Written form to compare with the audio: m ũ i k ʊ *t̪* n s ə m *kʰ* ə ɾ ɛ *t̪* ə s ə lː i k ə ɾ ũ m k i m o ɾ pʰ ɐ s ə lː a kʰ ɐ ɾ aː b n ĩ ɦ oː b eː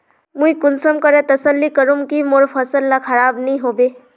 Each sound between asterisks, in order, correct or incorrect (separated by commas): incorrect, incorrect, correct